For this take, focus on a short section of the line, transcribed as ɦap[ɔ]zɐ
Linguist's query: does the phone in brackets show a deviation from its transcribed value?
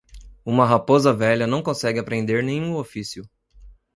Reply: yes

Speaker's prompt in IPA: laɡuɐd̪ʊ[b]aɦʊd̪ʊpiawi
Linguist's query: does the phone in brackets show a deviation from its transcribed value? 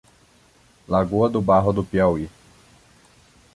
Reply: no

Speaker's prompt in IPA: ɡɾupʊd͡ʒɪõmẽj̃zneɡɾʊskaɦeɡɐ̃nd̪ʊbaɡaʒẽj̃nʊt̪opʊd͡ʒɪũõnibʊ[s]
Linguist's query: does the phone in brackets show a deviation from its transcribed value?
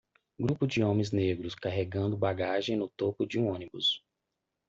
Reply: no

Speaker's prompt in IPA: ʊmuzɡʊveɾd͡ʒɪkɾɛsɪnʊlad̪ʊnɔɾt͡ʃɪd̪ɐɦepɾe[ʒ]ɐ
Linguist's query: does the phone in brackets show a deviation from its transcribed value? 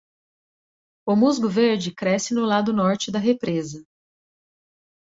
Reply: yes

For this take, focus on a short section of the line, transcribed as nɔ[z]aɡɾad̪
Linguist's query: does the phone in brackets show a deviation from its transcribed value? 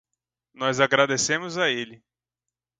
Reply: no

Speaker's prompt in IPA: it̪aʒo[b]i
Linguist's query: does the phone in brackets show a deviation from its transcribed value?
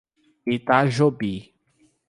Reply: no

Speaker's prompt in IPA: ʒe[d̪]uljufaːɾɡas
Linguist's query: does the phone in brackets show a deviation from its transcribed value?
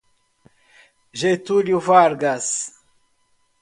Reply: yes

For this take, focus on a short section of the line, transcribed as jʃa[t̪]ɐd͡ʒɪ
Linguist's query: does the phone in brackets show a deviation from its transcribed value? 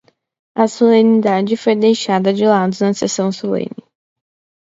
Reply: yes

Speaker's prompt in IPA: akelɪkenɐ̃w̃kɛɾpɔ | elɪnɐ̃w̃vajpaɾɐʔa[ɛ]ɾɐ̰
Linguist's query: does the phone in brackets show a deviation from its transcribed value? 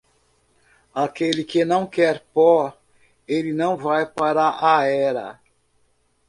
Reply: no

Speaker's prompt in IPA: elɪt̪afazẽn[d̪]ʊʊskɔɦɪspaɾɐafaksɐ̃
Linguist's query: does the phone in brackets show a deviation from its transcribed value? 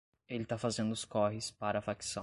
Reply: no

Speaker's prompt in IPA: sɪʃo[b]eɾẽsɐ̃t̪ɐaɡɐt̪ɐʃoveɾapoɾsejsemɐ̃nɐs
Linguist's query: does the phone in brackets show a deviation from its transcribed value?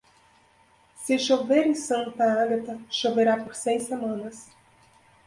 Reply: yes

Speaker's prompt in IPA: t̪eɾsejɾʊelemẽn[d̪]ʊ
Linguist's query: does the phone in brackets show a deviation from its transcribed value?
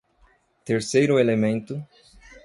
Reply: yes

